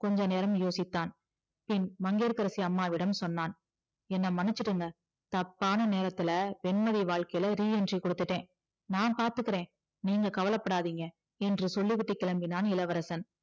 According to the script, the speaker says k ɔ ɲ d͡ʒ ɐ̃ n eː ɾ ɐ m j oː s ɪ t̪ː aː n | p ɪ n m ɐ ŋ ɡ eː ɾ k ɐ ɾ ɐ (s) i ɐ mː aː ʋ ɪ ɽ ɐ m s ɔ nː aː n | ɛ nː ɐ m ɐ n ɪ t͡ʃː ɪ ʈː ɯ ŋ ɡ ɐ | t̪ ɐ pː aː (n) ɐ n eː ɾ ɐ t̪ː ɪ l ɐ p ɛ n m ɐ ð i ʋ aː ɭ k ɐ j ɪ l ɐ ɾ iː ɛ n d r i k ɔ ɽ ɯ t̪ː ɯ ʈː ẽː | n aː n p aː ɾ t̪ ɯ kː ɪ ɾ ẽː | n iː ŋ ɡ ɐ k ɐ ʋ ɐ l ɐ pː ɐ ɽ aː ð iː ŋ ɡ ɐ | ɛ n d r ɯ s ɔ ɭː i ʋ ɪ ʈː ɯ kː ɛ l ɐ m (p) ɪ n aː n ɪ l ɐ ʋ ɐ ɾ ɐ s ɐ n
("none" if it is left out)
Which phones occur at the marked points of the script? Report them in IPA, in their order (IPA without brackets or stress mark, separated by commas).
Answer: s, n, b